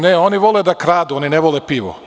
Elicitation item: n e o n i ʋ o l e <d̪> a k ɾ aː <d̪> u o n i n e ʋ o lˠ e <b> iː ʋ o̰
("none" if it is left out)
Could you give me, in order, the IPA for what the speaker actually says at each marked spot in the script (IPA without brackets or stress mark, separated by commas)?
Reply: d̪, d̪, p